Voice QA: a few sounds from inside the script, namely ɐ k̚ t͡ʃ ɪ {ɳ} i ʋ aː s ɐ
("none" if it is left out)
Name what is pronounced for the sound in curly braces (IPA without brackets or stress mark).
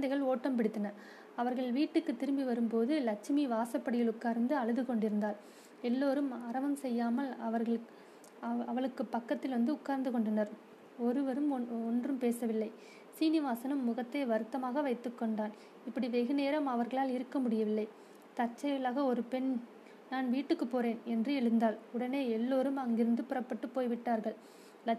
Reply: m